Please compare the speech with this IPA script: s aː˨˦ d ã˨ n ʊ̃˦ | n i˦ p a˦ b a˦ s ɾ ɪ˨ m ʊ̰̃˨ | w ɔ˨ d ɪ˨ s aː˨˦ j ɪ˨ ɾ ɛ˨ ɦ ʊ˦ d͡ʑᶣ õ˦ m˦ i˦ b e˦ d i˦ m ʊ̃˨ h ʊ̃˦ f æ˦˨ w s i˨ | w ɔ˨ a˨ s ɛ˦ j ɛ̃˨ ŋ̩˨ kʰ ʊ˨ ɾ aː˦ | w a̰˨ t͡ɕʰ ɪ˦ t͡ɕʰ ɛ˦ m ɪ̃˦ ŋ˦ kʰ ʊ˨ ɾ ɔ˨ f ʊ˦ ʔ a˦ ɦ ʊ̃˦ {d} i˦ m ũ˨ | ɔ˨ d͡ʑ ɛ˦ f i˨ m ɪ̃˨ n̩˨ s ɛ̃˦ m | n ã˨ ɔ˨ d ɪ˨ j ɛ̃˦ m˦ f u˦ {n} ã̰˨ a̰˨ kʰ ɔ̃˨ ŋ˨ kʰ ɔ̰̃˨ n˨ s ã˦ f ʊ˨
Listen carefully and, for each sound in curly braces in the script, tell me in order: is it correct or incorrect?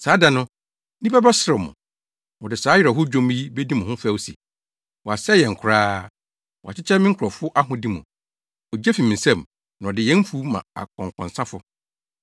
correct, incorrect: m

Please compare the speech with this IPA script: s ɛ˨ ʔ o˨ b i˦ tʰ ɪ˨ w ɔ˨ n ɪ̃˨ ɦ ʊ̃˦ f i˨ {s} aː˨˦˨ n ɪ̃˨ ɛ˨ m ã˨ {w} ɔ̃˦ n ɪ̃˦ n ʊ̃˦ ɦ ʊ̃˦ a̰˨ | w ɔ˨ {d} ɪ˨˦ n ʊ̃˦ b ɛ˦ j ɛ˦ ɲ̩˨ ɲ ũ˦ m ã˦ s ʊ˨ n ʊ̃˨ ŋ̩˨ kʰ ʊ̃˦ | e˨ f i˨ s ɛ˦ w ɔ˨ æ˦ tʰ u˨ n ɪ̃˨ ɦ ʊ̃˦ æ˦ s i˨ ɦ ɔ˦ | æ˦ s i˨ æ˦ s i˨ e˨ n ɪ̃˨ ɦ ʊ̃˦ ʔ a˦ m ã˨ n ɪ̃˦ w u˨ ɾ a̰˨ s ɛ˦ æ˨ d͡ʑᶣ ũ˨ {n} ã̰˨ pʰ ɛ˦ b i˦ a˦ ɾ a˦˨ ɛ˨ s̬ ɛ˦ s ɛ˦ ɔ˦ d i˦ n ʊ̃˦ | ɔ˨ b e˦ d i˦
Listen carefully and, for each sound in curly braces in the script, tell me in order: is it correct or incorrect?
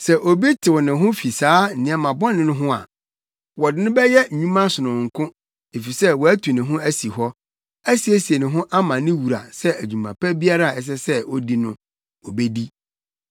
correct, incorrect: b, correct, incorrect: m

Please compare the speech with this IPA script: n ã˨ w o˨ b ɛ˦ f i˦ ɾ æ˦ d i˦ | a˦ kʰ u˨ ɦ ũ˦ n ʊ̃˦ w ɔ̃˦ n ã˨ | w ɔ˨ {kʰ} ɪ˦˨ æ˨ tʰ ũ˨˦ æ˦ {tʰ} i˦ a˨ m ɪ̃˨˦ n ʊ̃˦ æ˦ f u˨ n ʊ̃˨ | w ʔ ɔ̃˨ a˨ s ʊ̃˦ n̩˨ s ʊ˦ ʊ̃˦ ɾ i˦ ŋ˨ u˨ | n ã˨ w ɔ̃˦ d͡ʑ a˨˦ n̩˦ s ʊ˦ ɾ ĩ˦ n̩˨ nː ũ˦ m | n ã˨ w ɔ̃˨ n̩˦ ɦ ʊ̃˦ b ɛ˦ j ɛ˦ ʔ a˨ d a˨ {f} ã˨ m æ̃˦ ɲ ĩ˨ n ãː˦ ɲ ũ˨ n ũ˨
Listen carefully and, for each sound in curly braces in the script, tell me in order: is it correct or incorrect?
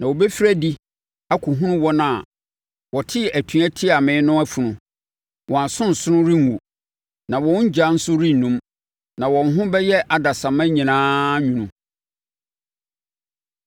incorrect: tʰ, correct, incorrect: s

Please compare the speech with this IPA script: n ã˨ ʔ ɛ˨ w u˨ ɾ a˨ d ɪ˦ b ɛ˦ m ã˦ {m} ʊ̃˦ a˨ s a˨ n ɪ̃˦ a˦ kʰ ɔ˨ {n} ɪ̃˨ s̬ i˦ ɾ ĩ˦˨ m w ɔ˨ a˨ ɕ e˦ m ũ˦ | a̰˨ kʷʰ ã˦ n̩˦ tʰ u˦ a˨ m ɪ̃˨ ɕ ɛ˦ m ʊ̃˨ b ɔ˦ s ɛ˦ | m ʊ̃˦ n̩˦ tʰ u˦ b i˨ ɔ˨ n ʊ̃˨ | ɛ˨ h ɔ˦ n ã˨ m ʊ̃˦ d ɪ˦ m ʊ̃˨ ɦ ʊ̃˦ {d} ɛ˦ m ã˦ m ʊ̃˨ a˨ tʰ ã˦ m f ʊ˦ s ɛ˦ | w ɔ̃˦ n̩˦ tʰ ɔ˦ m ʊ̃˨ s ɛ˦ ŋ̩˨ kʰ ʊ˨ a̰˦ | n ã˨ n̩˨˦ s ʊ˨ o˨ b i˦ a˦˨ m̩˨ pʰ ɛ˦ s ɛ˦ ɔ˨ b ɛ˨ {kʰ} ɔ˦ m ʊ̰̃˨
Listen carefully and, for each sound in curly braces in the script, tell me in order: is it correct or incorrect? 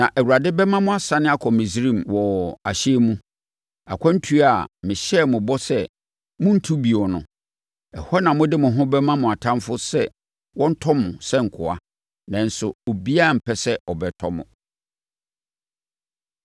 correct, incorrect: m, incorrect: b, incorrect: tʰ

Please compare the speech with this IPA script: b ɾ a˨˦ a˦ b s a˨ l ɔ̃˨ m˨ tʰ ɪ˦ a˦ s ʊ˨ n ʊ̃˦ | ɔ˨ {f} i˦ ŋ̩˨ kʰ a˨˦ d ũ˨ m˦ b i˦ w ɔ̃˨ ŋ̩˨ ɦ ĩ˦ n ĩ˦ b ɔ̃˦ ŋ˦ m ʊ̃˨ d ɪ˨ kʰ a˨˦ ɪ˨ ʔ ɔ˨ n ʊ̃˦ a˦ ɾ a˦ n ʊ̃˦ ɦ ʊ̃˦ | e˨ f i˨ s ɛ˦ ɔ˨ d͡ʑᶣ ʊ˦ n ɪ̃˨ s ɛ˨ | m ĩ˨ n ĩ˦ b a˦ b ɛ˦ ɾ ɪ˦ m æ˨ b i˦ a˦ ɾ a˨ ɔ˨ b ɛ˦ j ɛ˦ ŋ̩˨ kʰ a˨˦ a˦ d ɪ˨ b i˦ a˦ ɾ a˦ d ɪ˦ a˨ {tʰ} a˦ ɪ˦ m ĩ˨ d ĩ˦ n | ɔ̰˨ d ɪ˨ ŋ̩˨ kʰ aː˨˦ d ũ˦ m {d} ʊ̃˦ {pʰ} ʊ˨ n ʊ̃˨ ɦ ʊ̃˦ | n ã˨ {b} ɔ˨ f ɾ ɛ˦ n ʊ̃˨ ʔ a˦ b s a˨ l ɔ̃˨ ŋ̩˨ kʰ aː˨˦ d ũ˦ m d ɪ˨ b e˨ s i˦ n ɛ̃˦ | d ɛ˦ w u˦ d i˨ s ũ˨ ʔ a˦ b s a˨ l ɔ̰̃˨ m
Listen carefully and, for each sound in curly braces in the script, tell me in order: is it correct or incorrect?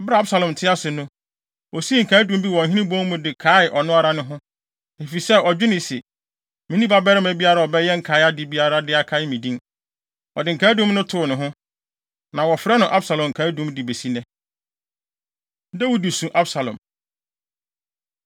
incorrect: s, incorrect: kʰ, incorrect: n, incorrect: tʰ, incorrect: w

